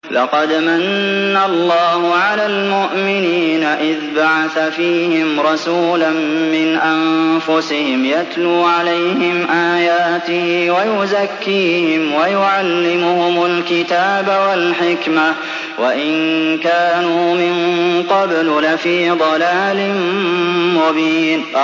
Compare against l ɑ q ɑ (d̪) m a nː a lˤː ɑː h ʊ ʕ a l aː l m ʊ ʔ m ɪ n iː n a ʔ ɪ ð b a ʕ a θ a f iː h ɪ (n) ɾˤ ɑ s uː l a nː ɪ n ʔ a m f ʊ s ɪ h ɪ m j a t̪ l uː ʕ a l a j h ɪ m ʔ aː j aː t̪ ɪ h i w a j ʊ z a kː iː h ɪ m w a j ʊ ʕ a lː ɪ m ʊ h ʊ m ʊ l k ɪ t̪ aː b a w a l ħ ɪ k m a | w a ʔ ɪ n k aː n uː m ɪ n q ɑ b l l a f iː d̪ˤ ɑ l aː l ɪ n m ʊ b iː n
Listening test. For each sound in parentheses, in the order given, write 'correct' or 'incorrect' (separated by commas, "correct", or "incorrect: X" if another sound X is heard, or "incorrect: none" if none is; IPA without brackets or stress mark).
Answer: correct, incorrect: m